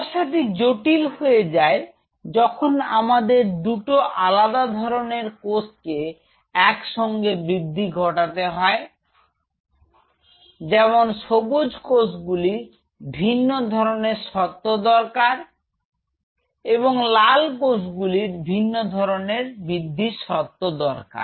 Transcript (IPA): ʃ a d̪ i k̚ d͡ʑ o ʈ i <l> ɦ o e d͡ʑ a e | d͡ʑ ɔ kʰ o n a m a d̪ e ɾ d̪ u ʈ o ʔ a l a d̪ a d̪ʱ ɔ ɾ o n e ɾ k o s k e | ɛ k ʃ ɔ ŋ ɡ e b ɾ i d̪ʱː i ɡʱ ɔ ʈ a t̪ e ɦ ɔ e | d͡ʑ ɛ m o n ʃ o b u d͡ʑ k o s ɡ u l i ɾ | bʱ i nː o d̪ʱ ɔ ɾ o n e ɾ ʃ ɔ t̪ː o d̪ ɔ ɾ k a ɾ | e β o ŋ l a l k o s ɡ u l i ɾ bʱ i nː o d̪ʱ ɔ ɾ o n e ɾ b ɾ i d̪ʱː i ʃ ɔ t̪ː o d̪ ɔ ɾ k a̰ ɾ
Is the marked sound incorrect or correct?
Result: correct